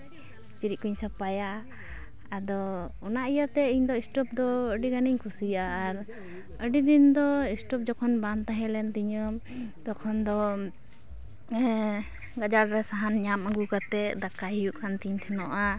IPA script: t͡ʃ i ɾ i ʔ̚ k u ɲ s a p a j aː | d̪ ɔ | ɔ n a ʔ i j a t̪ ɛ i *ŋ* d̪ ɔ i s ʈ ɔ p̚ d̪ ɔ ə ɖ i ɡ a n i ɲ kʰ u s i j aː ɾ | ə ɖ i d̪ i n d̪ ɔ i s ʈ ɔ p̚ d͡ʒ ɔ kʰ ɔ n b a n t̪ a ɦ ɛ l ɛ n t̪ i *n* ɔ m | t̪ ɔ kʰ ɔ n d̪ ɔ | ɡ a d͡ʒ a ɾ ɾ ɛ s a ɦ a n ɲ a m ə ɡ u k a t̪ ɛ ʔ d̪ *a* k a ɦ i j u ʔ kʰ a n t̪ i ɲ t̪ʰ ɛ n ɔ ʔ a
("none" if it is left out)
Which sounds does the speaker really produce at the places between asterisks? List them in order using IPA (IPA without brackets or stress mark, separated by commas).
ɲ, ɲ, a